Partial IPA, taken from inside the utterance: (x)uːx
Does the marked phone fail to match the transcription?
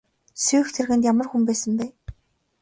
yes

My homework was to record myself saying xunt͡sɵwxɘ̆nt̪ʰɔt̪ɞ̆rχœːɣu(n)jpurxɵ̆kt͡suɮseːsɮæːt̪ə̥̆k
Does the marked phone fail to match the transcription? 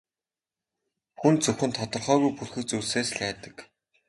yes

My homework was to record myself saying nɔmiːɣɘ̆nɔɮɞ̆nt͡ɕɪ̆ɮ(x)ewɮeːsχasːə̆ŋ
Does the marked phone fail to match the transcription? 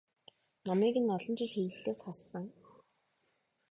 no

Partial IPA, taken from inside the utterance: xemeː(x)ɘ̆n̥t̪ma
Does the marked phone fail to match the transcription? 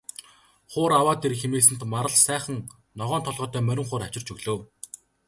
yes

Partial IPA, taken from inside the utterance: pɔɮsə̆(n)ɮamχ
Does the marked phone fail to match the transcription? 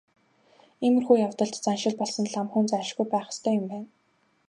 no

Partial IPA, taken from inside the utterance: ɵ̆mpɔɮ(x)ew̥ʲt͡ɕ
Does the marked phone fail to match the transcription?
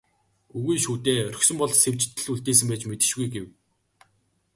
yes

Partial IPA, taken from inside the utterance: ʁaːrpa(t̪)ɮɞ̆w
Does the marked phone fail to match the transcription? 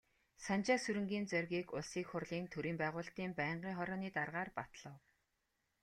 no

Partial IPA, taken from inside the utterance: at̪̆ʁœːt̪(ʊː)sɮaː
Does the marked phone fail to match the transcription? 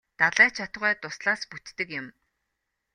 yes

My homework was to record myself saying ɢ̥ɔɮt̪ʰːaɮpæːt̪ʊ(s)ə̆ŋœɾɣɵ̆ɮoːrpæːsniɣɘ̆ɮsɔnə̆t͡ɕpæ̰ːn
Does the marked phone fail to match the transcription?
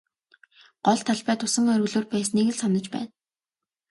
no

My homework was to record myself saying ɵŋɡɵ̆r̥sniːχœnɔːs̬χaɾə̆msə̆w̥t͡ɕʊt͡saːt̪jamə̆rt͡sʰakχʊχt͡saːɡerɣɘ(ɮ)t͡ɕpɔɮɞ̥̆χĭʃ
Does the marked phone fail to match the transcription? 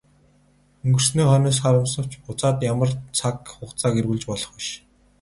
no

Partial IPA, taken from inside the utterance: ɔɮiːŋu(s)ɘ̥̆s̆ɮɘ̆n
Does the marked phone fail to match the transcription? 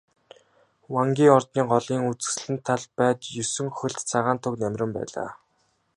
yes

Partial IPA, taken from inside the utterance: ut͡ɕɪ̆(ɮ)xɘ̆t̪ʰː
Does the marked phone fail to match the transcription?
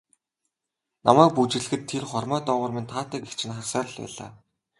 no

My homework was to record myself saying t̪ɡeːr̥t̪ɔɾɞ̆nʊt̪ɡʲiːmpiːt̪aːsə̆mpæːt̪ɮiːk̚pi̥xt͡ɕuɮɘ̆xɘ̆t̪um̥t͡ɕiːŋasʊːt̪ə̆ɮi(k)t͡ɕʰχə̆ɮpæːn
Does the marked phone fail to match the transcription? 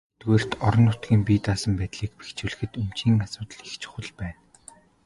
yes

